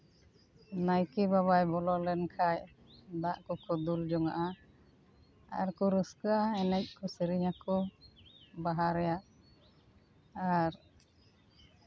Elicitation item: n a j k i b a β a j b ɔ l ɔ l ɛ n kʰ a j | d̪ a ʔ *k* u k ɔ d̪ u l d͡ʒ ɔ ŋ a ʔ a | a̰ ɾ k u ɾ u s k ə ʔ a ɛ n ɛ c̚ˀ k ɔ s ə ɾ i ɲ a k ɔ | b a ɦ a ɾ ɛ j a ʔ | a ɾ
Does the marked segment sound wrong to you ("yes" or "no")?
no